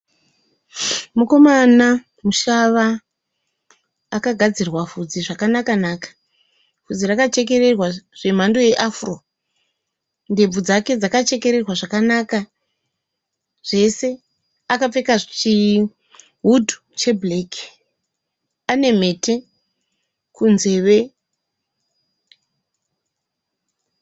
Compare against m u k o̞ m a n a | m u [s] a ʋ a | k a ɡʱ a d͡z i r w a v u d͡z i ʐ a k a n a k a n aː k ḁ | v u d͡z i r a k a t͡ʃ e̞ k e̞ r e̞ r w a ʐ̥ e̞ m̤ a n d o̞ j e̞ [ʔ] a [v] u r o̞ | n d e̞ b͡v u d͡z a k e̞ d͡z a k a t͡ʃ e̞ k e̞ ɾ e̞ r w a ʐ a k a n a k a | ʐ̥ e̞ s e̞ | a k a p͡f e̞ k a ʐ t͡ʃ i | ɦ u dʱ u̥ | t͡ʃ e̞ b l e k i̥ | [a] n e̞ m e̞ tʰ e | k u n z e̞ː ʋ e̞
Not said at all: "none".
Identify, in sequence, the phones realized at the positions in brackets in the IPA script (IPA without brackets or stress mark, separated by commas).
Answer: ʃ, ʔ, f, a